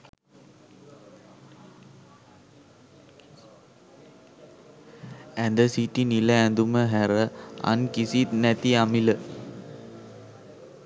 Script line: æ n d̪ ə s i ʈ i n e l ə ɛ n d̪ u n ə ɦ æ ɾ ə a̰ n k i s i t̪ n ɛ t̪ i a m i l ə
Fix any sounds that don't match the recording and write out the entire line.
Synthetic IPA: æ n d̪ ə s i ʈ i n i l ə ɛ n d̪ u m ə ɦ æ ɾ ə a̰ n k i s i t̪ n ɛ t̪ i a m i l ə